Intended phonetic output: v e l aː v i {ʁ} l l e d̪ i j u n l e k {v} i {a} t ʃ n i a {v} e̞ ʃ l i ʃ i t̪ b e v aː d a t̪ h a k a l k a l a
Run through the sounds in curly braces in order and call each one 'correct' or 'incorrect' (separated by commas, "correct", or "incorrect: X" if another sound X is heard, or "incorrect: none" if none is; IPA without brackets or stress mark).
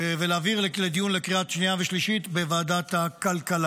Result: correct, incorrect: ʁ, correct, correct